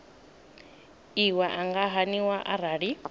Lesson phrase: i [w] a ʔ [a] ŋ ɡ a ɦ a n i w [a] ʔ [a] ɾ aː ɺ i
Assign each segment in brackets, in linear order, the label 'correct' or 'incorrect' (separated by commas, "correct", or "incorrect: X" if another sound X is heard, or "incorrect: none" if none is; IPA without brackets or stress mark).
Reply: correct, correct, correct, correct